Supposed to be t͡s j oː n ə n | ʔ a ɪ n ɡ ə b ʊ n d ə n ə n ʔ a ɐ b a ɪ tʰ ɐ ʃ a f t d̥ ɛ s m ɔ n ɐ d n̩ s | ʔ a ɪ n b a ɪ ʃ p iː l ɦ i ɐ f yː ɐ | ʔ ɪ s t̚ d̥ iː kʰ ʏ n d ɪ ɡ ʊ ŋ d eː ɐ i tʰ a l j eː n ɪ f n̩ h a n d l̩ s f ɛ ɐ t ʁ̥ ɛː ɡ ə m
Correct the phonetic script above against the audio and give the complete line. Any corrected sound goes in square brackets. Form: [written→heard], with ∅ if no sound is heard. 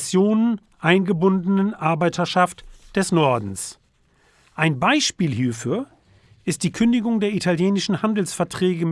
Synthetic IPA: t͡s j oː n ə n | ʔ a ɪ n ɡ ə b ʊ n d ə n ə n ʔ a ɐ b a ɪ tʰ ɐ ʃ a f t d̥ ɛ s [m→n] ɔ [n→∅] ɐ d n̩ s | ʔ a ɪ n b a ɪ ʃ p iː l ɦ [i→iː] ɐ f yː ɐ | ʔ ɪ s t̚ d̥ iː kʰ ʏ n d ɪ ɡ ʊ ŋ d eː ɐ i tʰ a l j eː n ɪ [f→ʃ] n̩ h a n d l̩ s f ɛ ɐ t ʁ̥ ɛː ɡ ə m